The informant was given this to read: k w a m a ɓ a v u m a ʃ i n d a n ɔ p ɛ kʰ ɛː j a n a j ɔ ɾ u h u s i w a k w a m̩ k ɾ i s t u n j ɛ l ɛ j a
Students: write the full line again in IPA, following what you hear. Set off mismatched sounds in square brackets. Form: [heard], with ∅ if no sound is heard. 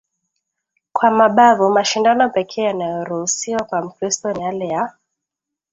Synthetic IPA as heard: k w a m a ɓ a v u m a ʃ i n d a n ɔ p ɛ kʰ ɛː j a n a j ɔ ɾ u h u s i w a k w a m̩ k ɾ i s t [ɔ] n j [a] l ɛ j a